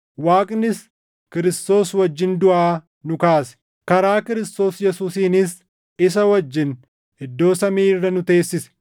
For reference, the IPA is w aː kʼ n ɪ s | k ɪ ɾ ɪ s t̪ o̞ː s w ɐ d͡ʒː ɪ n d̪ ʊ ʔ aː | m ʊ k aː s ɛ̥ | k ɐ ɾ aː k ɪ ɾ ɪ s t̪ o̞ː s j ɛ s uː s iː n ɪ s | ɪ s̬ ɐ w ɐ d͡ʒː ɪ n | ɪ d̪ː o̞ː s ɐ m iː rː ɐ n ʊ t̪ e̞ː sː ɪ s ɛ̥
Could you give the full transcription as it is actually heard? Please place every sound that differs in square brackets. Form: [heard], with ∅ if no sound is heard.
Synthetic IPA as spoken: w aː kʼ n ɪ s | k ɪ ɾ ɪ s t̪ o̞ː s w ɐ d͡ʒː ɪ n d̪ ʊ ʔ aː | [n] ʊ k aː s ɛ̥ | k ɐ ɾ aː k ɪ ɾ ɪ s t̪ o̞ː s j ɛ s uː s iː n ɪ s | ɪ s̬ ɐ w ɐ d͡ʒː ɪ n | ɪ d̪ː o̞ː s ɐ m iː rː ɐ n ʊ t̪ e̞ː sː ɪ s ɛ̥